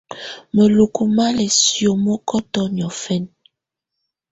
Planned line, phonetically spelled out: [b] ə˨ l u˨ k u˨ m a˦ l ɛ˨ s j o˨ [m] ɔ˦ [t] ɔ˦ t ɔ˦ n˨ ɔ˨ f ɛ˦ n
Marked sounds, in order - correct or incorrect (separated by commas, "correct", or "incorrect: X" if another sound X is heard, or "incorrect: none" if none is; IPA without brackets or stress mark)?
incorrect: m, correct, incorrect: k